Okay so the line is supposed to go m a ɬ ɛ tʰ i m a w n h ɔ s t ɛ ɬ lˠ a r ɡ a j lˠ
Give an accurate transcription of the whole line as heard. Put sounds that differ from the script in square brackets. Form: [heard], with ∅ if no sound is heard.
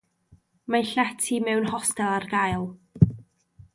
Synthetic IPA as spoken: m a ɬ ɛ tʰ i m [ɛ] w n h ɔ s t ɛ [∅] lˠ a r ɡ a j lˠ